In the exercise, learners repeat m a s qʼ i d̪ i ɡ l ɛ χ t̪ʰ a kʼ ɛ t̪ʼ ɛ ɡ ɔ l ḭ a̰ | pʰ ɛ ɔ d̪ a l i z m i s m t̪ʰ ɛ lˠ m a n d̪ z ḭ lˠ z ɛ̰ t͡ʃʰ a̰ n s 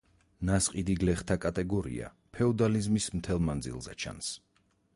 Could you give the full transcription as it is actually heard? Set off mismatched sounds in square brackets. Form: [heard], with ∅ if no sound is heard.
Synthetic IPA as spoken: [n] a s qʼ i d̪ i ɡ l ɛ χ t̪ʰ a kʼ [a] t̪ʼ ɛ ɡ ɔ [ɾ] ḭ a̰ | pʰ ɛ ɔ d̪ a l i z m i s m t̪ʰ ɛ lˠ m a n d̪ z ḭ lˠ z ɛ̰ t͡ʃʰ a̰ n s